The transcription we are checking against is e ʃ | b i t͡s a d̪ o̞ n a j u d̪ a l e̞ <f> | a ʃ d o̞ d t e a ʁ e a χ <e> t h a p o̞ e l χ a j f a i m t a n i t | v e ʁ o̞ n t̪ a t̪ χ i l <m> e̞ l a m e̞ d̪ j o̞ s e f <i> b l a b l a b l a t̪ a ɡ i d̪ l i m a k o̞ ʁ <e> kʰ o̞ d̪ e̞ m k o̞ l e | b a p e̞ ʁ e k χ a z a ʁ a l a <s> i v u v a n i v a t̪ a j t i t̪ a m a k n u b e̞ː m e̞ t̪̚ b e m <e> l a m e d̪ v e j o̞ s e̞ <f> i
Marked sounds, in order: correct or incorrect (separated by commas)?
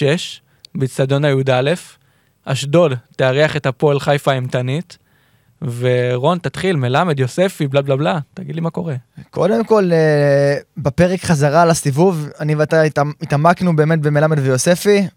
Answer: correct, correct, correct, correct, correct, correct, correct, correct